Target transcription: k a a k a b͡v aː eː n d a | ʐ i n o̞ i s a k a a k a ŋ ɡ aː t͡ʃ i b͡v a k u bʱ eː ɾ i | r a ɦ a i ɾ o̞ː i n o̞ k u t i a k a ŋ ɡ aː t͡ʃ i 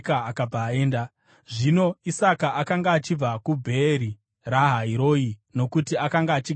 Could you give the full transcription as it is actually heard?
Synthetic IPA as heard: k a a k a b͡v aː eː n d a | ʐ i n o̞ i s a k a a k a ŋ ɡ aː t͡ʃ i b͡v a k u bʱ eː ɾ i | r a ɦ a i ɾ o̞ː i n o̞ k u t i a k a ŋ ɡ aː t͡ʃ i